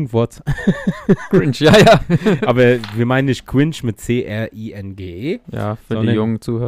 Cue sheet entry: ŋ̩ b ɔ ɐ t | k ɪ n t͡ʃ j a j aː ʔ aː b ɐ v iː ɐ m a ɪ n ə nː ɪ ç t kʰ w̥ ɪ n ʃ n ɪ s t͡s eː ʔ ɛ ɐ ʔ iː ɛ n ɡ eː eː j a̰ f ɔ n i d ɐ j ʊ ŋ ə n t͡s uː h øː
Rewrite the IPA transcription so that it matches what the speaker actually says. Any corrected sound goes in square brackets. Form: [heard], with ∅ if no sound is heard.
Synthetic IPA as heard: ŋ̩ [v] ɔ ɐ t | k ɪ n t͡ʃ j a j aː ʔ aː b ɐ v iː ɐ m a ɪ n ə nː ɪ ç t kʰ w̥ ɪ n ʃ [m] ɪ [t] t͡s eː ʔ ɛ ɐ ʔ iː ɛ n ɡ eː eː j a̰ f ɔ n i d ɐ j ʊ ŋ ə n t͡s uː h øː